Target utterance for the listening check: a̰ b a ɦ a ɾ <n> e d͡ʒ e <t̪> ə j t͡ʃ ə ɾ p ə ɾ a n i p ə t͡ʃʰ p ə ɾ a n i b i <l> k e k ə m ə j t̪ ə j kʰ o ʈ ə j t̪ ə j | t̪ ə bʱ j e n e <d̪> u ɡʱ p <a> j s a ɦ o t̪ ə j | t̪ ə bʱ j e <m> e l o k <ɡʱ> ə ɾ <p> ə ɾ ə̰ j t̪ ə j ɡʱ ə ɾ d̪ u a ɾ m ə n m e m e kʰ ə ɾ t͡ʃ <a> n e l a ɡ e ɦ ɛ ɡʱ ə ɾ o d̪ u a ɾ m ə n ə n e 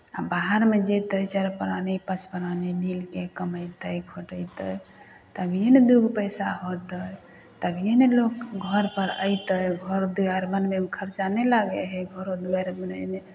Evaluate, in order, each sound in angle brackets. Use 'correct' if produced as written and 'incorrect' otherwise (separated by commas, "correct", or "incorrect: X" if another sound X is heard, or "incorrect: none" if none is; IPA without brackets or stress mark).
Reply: incorrect: m, correct, correct, correct, incorrect: ə, incorrect: n, correct, correct, correct